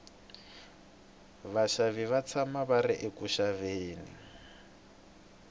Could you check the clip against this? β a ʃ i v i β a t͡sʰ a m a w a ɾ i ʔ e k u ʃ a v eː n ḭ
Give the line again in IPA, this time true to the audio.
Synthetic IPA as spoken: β a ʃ a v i β a t͡sʰ a m a β a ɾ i ʔ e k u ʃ a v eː n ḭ